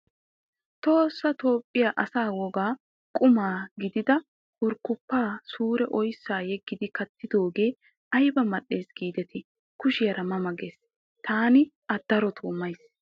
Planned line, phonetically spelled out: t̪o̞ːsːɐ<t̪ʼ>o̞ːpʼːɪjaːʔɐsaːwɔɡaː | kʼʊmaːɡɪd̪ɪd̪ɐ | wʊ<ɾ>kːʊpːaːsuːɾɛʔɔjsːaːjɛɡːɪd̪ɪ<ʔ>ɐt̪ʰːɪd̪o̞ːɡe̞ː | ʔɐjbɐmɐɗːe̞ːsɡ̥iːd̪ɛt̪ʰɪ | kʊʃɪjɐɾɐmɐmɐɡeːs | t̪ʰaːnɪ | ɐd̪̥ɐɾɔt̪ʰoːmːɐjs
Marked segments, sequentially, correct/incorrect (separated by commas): incorrect, correct, incorrect